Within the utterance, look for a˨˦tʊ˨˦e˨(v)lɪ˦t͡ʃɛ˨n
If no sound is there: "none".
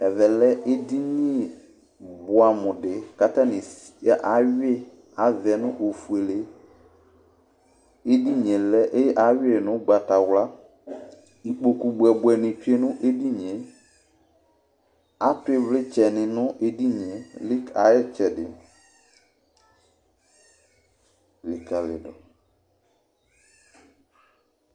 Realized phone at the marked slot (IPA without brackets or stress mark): v